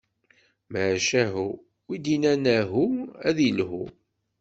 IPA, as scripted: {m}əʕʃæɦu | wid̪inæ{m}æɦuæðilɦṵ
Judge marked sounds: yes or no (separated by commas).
yes, no